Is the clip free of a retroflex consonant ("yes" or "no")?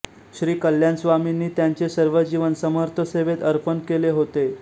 yes